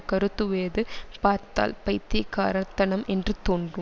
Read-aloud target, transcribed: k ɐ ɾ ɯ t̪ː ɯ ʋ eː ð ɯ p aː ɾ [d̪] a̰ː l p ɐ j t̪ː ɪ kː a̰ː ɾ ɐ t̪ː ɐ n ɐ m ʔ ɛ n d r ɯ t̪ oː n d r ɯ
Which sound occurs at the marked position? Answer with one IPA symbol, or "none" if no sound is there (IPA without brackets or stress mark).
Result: t̪